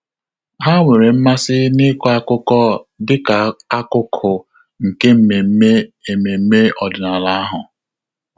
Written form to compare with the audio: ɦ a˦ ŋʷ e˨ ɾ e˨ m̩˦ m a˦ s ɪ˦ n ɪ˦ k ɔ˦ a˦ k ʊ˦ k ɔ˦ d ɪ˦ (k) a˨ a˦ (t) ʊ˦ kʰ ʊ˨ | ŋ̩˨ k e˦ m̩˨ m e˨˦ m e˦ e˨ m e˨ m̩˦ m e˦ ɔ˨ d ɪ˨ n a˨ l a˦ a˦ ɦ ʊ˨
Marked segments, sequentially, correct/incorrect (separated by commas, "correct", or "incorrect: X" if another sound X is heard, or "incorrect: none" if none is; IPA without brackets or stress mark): correct, incorrect: k